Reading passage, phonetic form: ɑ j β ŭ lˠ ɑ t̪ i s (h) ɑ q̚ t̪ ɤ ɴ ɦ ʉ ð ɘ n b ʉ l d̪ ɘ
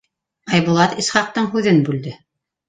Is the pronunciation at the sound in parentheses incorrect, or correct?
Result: incorrect